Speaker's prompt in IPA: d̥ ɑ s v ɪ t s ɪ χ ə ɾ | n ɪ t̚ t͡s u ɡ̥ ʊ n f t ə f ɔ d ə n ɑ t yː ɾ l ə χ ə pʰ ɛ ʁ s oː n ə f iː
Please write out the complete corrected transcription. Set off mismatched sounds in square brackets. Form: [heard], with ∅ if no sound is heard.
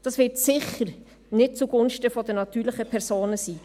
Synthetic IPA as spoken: d̥ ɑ s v ɪ t s ɪ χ ə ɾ | n ɪ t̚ t͡s u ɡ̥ ʊ n [ʃ] t ə f ɔ d ə n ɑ t yː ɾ l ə χ ə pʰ ɛ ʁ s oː n ə [s] iː

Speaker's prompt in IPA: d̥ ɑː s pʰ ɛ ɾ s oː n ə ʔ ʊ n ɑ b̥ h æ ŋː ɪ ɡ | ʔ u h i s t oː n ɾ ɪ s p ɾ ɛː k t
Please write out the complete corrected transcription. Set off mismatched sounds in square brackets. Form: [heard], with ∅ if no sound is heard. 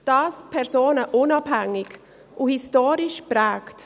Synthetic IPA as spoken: d̥ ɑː s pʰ ɛ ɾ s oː n ə ʔ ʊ n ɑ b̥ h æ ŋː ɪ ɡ | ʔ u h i s t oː [∅] ɾ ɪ [ʃ] p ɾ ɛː k t

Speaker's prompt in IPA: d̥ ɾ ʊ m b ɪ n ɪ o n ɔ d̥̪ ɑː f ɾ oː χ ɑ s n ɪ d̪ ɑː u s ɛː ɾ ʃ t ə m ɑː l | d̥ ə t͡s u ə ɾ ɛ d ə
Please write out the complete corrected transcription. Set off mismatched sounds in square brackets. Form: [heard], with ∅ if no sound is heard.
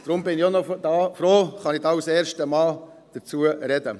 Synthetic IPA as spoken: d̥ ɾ ʊ m b ɪ n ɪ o n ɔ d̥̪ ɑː f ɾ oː χ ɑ [∅] n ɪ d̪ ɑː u s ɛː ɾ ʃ t ə m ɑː l | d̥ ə t͡s u ə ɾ ɛ d ə

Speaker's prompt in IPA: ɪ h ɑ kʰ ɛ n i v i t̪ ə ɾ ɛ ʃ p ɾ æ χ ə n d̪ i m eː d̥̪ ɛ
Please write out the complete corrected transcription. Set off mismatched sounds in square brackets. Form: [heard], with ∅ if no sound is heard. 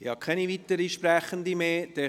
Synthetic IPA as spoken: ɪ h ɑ kʰ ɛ n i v i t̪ ə ɾ [i] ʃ p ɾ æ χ ə n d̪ i m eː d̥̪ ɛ

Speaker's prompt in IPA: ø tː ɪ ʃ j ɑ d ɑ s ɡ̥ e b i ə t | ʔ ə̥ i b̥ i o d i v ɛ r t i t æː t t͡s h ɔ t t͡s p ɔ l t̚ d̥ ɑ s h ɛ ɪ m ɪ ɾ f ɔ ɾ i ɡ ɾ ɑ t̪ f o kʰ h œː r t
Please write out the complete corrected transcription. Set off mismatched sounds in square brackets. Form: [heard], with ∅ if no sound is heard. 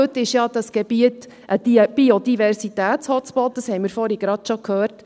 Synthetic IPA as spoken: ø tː ɪ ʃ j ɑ d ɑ s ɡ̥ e b i ə t | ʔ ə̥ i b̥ i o d i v ɛ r [s] i t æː t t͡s h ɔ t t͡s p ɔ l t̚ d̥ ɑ s h ɛ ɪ m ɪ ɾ f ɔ ɾ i ɡ ɾ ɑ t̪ [ʃ] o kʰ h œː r t

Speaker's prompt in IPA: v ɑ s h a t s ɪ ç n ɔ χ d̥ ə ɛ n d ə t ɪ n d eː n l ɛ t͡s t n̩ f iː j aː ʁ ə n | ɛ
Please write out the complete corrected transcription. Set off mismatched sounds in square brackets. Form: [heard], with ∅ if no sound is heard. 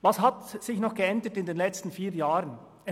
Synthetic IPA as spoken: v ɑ s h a t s ɪ ç n ɔ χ [ɡ̥] ə ɛ n d ə t ɪ n d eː n l ɛ t͡s t n̩ f iː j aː ʁ ə n | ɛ

